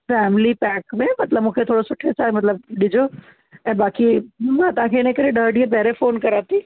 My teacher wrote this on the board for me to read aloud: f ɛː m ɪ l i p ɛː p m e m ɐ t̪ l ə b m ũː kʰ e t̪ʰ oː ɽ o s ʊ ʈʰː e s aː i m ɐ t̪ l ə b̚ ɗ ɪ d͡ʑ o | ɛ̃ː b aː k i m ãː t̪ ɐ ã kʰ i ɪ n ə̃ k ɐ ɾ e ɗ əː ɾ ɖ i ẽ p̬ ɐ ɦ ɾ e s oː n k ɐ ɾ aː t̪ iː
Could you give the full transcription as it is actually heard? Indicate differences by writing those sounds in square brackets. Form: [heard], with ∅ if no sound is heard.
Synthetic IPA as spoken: f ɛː m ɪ l i p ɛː [k] m [ẽ] m ɐ t̪ l ə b m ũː kʰ e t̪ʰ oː ɽ o s ʊ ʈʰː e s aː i m ɐ t̪ l ə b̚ ɗ ɪ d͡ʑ o | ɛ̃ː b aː k i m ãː t̪ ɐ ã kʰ [e] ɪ n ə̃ k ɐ ɾ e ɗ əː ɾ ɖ i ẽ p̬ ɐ ɦ ɾ e [f] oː n k ɐ ɾ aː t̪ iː